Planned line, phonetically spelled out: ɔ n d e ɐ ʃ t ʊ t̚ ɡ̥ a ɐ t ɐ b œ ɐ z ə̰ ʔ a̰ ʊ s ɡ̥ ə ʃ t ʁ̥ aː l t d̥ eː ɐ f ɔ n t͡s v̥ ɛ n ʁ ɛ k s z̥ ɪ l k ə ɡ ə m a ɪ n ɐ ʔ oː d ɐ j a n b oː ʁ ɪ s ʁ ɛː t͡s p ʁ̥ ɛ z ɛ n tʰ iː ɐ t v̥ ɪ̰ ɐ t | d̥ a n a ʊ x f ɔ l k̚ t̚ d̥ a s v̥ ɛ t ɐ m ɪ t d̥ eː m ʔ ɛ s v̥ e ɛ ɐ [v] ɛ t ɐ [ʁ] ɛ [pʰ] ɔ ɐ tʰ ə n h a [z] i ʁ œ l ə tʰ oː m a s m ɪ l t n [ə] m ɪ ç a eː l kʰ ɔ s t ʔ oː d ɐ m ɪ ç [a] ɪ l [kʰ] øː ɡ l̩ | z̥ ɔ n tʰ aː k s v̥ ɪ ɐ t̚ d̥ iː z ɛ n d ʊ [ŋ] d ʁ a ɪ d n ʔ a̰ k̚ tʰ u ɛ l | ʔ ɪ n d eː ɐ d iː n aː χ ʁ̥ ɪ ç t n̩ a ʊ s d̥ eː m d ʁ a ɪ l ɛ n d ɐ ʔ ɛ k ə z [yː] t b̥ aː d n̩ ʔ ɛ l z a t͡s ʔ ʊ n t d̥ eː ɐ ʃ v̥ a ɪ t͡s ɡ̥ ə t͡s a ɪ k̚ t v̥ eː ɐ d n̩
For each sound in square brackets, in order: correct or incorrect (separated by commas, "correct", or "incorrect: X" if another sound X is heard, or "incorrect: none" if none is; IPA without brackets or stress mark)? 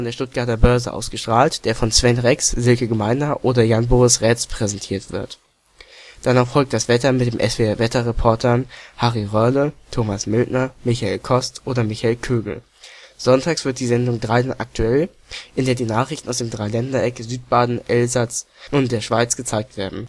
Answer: correct, correct, correct, incorrect: ʁ, incorrect: ɐ, correct, correct, correct, correct